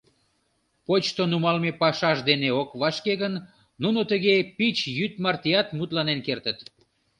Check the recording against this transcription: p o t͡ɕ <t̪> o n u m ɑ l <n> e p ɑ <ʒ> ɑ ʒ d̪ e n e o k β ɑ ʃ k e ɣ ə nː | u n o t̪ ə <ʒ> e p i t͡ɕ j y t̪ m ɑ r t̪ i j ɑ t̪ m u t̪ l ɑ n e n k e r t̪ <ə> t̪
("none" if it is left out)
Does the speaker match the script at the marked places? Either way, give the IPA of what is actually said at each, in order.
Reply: t̪, m, ʃ, ɣ, ə

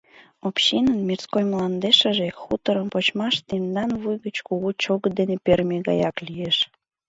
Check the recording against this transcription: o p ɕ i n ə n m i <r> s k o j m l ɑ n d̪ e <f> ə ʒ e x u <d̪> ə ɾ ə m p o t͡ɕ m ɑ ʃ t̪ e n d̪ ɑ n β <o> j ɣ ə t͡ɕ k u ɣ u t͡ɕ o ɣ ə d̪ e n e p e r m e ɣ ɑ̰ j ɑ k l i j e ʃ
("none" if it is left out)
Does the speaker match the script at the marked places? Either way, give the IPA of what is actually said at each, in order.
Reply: r, ʃ, t̪, u

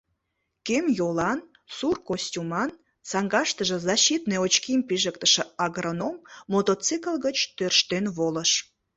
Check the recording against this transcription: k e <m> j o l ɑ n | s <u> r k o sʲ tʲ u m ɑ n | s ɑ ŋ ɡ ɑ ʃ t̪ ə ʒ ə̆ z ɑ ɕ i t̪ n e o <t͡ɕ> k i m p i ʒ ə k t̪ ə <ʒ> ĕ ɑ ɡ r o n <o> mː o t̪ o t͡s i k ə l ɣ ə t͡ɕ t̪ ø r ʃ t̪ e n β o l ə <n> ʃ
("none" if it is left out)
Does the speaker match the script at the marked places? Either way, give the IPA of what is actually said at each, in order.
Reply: m, u, t͡ɕ, ʃ, o, none

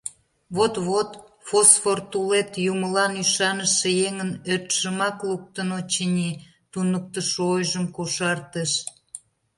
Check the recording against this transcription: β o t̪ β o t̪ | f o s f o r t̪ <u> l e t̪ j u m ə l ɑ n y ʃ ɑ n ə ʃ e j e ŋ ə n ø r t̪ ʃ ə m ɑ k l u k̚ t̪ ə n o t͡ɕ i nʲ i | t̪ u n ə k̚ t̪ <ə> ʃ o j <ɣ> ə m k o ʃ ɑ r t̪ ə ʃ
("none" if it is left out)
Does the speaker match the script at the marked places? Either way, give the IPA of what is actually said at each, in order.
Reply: u, ə, ʒ

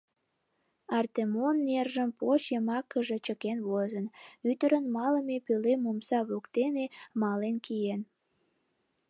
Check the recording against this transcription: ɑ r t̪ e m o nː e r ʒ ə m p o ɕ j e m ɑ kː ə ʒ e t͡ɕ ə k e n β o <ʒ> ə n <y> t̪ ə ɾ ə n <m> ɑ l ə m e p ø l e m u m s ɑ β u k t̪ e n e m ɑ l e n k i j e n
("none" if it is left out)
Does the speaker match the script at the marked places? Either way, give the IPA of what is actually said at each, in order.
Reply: z, y, m

